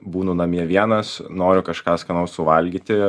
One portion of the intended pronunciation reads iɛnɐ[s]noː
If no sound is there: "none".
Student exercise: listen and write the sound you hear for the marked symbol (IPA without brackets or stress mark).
s